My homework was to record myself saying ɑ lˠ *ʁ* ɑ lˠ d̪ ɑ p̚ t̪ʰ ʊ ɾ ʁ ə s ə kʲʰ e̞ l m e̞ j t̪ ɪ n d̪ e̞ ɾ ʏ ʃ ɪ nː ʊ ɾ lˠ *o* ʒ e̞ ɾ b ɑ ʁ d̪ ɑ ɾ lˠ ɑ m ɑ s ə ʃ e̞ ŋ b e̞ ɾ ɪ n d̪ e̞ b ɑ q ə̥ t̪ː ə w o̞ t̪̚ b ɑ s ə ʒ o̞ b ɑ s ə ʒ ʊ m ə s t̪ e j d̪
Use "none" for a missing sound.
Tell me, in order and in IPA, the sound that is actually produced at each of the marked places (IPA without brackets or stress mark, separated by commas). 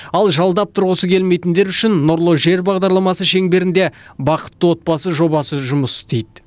ʒ, o